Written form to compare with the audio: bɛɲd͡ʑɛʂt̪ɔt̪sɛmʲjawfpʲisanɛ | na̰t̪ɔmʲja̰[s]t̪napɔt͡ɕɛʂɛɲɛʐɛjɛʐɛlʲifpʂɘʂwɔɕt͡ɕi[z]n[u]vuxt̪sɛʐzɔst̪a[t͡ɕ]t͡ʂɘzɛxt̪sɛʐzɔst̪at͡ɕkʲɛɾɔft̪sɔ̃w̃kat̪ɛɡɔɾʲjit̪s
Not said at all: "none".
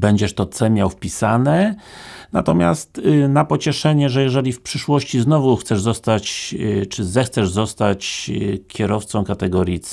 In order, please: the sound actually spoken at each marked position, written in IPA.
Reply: s, z, ɔ, t͡ɕ

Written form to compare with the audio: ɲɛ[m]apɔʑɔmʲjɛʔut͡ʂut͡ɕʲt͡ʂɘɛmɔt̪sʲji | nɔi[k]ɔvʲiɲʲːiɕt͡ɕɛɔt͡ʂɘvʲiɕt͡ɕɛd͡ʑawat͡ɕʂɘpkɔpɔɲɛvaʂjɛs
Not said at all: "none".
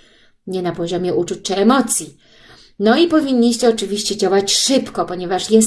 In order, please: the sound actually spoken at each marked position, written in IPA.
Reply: n, p

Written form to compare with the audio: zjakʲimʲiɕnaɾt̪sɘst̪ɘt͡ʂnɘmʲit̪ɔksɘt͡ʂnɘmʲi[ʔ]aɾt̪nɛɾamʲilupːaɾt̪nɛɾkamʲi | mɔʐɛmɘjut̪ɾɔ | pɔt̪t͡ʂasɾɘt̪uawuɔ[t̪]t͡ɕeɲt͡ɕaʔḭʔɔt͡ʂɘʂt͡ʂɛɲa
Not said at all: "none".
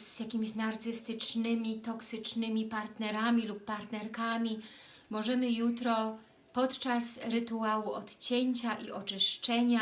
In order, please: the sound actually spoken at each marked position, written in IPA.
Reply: p, t̪

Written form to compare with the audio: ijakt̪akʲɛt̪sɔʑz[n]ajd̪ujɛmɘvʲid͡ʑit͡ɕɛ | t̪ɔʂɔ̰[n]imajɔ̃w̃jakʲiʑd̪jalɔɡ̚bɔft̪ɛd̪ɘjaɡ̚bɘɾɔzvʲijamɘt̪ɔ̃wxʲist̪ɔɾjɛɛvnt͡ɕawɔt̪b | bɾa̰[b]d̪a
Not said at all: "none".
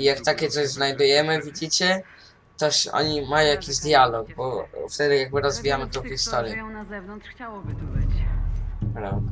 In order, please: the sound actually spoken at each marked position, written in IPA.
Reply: n, ɲ, v

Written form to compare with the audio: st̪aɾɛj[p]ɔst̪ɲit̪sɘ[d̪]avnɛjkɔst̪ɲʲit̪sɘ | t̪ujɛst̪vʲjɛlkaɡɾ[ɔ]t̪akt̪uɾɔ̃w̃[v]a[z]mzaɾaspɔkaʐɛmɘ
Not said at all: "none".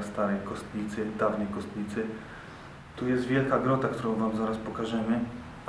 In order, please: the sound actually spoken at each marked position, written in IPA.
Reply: k, d̪, ɔ, v, none

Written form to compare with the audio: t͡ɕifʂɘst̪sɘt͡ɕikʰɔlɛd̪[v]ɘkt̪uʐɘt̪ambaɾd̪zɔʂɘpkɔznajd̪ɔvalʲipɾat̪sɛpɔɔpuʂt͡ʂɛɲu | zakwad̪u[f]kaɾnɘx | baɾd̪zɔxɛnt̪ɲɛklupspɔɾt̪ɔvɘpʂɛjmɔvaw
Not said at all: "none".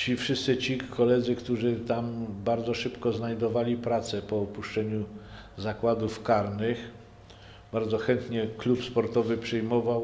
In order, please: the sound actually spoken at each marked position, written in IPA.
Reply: z, f

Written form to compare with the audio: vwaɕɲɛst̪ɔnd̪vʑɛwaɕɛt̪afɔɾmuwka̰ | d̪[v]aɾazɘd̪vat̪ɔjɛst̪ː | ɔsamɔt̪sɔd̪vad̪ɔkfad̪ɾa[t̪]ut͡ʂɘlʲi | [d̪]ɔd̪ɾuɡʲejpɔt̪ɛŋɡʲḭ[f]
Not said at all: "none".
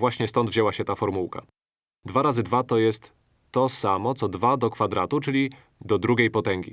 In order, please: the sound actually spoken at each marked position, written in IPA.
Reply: v, t̪, d̪, none

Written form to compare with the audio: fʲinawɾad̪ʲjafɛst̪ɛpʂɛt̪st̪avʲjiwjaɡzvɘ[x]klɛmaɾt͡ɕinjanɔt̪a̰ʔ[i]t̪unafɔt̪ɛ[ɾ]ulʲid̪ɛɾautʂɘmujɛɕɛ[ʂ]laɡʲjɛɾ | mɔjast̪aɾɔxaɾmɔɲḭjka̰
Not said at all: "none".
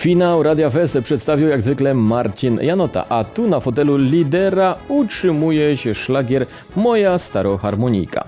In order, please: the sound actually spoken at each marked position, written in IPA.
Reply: none, a, l, ʂ

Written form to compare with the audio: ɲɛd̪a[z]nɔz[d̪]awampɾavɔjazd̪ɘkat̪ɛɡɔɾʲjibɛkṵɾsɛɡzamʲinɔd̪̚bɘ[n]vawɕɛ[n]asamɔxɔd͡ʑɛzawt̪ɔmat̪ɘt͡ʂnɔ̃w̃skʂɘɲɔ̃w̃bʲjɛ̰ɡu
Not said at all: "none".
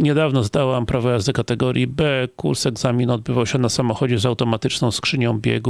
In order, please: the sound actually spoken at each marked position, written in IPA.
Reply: v, d̪, none, n

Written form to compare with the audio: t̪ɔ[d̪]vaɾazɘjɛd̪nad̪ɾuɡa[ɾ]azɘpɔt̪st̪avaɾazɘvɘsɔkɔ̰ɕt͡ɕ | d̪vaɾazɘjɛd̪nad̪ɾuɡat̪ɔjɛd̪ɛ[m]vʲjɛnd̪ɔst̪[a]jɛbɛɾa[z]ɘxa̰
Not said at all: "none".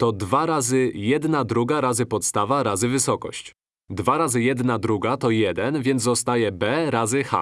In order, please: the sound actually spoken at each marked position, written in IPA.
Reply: d̪, ɾ, n, a, z

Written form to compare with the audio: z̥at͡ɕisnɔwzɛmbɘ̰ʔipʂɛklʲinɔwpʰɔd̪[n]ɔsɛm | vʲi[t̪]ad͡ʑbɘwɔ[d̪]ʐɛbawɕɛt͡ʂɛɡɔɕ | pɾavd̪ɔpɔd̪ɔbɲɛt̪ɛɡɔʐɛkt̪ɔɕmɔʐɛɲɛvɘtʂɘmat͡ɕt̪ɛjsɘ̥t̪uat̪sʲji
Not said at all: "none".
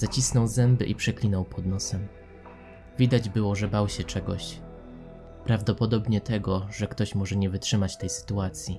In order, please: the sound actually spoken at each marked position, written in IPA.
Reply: n, d̪, none

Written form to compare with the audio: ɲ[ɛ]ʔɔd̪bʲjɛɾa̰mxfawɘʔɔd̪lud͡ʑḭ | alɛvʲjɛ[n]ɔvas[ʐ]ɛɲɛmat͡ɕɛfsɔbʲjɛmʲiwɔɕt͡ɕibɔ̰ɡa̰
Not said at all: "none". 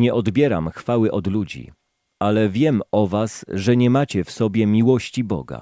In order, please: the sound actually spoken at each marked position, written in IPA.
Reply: ɛ, m, ʐ

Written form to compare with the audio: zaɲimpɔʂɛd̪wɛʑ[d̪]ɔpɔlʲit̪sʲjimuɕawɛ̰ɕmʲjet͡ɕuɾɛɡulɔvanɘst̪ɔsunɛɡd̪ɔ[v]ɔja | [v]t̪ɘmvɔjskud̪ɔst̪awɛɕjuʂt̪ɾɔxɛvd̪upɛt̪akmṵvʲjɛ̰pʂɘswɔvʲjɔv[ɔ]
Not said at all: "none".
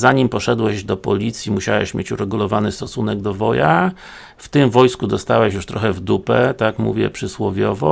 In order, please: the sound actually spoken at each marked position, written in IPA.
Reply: d̪, v, f, ɔ

